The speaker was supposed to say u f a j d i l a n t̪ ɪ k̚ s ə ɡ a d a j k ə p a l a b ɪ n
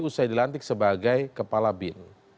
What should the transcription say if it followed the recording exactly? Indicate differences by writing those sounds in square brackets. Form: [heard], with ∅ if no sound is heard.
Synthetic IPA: u [s] a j d i l a n t̪ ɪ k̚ s ə [b] a [ɡ] a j k ə p a l a b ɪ n